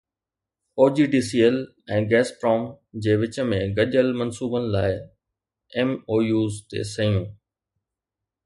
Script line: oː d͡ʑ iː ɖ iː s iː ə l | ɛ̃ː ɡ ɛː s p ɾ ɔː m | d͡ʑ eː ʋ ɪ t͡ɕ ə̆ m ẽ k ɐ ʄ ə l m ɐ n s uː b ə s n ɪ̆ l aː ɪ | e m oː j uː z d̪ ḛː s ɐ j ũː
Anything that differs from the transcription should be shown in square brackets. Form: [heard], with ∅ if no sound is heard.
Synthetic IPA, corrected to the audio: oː d͡ʑ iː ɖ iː s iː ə l | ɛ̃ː ɡ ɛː s p ɾ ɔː m | d͡ʑ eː ʋ ɪ t͡ɕ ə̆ m ẽ [ɡ] ɐ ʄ ə l m ɐ n s uː b ə [∅] n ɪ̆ l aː ɪ | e m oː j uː z [t̪] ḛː s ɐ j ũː